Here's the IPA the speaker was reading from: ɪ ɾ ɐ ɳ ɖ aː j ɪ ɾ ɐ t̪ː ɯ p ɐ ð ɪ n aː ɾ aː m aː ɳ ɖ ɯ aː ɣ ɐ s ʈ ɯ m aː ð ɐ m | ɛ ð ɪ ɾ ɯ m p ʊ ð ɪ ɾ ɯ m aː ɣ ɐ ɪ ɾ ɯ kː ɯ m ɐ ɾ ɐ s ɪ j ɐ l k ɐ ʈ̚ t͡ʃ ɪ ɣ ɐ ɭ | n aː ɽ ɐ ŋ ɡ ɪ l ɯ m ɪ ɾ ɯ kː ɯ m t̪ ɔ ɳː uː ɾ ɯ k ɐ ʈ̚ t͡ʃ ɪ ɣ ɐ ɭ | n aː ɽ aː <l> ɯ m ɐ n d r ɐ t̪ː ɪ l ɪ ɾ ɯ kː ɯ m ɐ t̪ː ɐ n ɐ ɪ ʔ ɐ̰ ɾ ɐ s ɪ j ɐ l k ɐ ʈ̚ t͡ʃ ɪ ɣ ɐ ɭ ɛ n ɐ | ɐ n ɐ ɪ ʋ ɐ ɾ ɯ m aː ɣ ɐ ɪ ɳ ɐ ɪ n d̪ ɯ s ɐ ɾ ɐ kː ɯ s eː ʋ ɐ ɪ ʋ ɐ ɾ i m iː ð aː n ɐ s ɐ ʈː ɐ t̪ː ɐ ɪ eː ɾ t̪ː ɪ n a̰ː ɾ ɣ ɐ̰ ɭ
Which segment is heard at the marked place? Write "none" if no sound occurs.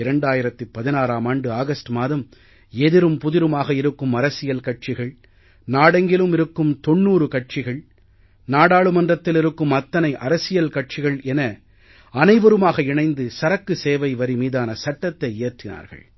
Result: ɭ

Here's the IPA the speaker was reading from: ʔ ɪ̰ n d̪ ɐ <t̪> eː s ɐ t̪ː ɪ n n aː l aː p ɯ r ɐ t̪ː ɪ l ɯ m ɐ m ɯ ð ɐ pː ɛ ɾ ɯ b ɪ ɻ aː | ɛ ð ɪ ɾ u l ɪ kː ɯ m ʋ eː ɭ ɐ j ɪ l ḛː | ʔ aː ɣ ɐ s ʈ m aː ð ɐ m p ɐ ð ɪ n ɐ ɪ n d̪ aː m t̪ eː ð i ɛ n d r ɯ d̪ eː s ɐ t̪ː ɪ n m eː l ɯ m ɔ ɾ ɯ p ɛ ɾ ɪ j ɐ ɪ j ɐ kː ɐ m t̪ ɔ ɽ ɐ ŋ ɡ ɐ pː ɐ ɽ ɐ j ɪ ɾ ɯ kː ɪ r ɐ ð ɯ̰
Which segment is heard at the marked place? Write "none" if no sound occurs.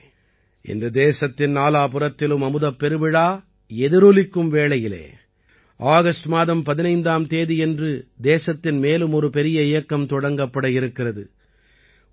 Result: d̪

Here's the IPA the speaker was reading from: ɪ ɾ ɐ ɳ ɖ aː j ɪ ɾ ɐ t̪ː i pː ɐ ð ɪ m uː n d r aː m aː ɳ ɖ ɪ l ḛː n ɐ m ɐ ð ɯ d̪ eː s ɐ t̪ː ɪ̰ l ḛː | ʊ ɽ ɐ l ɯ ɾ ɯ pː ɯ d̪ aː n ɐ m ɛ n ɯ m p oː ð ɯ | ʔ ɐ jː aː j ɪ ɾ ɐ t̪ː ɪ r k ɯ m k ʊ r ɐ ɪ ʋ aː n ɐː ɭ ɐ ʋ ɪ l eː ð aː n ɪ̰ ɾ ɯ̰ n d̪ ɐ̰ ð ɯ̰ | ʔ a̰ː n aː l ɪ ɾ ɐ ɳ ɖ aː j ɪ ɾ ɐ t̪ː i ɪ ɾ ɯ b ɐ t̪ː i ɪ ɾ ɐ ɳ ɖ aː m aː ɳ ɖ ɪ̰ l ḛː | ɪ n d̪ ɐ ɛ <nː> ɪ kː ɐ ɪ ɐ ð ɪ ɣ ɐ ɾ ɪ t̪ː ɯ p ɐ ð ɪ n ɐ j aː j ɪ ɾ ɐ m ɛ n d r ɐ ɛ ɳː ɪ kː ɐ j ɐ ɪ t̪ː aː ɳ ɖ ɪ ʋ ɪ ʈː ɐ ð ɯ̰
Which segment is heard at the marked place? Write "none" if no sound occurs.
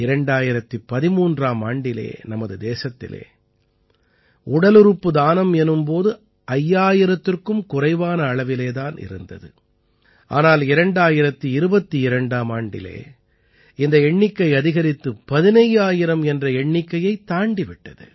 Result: ɳː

